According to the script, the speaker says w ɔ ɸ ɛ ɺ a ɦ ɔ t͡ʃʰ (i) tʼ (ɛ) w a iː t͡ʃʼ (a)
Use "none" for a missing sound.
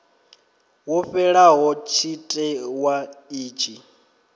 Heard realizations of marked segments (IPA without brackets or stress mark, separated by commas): i, ɛ, i